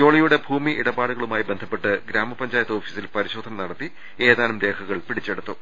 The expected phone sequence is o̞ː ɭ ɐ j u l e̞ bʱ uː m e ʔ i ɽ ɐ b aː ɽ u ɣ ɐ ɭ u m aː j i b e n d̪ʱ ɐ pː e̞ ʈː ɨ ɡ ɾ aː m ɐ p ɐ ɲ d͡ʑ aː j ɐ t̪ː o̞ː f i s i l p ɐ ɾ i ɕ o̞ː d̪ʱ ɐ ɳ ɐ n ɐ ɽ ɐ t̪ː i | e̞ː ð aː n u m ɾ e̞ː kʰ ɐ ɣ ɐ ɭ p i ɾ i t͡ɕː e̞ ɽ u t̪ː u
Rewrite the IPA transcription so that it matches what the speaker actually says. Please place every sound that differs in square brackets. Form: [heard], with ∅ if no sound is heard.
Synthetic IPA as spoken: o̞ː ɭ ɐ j u [ɽ] e̞ bʱ uː m [i] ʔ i ɽ ɐ b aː ɽ u ɣ ɐ ɭ u m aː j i b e n d̪ʱ ɐ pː e̞ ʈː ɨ ɡ ɾ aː m ɐ p ɐ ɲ d͡ʑ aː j ɐ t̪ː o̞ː f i s i l p ɐ ɾ i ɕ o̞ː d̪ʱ ɐ [n] ɐ n ɐ ɽ ɐ t̪ː i | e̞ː ð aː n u m ɾ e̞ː kʰ ɐ ɣ ɐ ɭ p i [ɽ] i t͡ɕː e̞ ɽ u t̪ː u